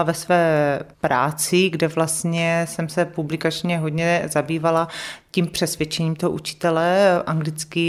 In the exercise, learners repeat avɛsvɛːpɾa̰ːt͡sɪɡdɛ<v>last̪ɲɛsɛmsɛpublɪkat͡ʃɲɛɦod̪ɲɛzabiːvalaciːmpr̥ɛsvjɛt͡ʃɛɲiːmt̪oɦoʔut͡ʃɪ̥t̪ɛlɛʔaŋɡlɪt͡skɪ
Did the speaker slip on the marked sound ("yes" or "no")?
no